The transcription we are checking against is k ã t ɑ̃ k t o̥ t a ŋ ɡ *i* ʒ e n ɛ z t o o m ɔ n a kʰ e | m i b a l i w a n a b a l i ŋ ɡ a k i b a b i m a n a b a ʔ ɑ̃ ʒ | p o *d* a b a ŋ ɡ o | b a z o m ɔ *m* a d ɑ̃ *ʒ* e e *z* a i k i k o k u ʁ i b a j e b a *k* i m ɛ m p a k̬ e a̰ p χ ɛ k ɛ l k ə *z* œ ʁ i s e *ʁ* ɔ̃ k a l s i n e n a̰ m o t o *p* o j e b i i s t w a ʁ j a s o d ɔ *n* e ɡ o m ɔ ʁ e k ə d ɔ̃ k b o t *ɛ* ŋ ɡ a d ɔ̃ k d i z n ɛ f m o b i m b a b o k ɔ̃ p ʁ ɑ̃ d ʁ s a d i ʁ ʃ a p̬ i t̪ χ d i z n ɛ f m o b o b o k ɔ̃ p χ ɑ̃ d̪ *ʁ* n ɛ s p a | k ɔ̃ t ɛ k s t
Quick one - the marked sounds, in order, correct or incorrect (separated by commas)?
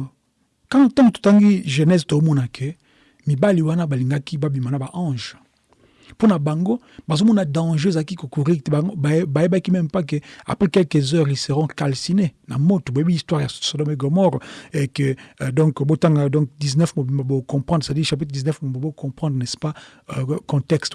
correct, incorrect, incorrect, correct, correct, correct, correct, correct, incorrect, incorrect, incorrect, correct